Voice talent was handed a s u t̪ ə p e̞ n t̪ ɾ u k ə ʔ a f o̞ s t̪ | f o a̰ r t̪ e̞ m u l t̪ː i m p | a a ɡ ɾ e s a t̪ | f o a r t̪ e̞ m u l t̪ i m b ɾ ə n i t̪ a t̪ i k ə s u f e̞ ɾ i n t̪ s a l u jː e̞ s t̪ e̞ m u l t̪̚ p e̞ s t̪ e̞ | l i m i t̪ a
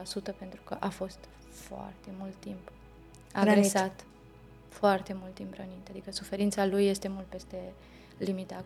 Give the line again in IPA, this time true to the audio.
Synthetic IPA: a s u t̪ ə p e̞ n t̪ ɾ u k ə ʔ a f o̞ s t̪ | f o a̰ r t̪ e̞ m u l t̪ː i m p | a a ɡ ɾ e s a t̪ | f o a r t̪ e̞ m u l t̪ i m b ɾ ə n i t̪ a d̪ i k ə s u f e̞ ɾ i n t̪ s a l u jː e̞ s t̪ e̞ m u l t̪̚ p e̞ s t̪ e̞ | l i m i t̪ a